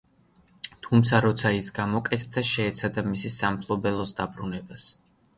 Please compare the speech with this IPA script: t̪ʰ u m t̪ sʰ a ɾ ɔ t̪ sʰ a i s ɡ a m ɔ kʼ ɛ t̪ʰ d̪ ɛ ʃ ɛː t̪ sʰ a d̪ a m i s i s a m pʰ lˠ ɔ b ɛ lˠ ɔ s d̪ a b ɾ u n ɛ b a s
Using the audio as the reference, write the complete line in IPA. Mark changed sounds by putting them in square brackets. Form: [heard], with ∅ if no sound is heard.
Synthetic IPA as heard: t̪ʰ u m t̪ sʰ a ɾ ɔ t̪ sʰ a i s ɡ a m ɔ kʼ ɛ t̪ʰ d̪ [a] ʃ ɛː t̪ sʰ a d̪ a m i s i s a m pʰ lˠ ɔ b ɛ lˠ ɔ s d̪ a b ɾ u n ɛ b a s